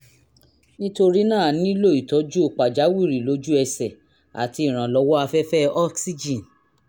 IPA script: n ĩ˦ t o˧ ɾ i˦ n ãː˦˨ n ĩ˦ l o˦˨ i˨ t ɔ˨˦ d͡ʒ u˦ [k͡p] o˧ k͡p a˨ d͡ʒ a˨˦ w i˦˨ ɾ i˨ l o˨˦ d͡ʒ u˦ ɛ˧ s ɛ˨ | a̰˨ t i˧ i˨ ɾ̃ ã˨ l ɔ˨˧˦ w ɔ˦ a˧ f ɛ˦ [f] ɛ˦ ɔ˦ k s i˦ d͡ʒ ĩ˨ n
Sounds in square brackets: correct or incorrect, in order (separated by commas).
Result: incorrect, correct